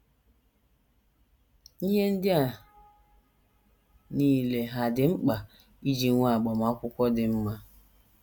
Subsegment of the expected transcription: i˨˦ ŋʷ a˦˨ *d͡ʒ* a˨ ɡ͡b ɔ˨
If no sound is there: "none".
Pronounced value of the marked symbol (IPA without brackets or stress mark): none